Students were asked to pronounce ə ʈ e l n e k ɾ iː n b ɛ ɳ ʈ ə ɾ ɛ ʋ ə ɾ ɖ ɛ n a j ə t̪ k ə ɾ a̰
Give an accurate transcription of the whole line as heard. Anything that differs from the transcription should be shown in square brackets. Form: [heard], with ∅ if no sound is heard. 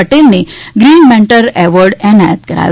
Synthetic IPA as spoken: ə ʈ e l n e [ɡ] ɾ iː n [m] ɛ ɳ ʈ ə ɾ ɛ ʋ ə ɾ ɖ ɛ n a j ə t̪ k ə ɾ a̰